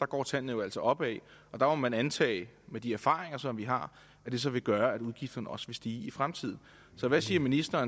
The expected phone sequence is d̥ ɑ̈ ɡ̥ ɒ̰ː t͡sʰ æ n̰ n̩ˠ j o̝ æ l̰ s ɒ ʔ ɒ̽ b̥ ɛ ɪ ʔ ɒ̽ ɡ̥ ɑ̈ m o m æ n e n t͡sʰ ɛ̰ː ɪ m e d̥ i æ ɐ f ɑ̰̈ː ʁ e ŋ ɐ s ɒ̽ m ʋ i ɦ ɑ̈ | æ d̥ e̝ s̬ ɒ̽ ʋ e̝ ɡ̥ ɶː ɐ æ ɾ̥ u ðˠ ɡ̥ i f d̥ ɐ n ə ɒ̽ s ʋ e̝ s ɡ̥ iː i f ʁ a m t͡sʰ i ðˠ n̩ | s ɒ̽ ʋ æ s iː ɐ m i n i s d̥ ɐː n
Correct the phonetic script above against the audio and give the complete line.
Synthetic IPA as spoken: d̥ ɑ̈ ɡ̥ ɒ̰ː t͡sʰ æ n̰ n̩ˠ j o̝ æ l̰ s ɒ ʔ ɒ̽ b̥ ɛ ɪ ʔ ɒ̽ d̥ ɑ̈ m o m æ n æ n t͡sʰ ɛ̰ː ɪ m e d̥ i æ ɐ f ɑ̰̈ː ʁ e ŋ ɐ s ɒ̽ m ʋ i ɦ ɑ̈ | æ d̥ e̝ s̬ ɒ̽ ʋ e̝ ɡ̥ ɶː ɐ æ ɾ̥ u ðˠ ɡ̥ i f d̥ ɐ n ə ɒ̽ s ʋ e̝ s d̥ iː i f ʁ a m t͡sʰ i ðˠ n̩ | s ɒ̽ ʋ æ s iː ɐ m i n i s d̥ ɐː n